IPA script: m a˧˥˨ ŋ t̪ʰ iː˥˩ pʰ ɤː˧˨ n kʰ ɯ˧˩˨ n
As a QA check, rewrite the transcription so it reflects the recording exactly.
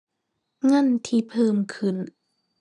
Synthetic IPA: ŋ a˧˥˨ n t̪ʰ iː˧ pʰ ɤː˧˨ m kʰ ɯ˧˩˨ n